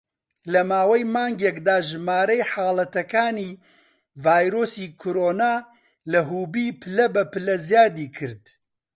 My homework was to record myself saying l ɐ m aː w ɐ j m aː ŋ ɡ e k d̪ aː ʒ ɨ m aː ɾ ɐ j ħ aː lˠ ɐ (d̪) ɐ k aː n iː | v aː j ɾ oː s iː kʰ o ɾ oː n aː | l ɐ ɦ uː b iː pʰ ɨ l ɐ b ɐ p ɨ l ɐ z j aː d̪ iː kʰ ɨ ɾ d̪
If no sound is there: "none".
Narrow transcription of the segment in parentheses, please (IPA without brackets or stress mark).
t̪